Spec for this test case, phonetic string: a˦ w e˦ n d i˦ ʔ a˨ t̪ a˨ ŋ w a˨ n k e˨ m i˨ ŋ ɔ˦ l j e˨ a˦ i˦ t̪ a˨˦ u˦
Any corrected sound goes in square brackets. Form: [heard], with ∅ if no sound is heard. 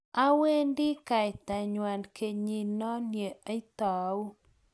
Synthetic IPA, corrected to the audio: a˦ w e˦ n d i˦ [k] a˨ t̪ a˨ [ɲ] w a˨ n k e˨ [ɲ] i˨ [n] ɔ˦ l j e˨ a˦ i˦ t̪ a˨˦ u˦